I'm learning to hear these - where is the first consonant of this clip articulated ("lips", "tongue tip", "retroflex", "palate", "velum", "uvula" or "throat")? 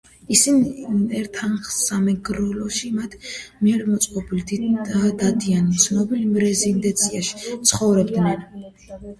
tongue tip